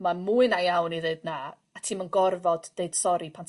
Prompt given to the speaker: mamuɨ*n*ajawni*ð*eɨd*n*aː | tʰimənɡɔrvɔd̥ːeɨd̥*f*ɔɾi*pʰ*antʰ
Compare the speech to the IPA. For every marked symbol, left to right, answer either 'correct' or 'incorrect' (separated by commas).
correct, correct, correct, incorrect, correct